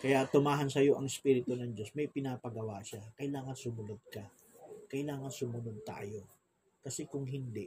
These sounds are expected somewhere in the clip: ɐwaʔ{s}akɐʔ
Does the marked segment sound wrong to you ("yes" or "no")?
yes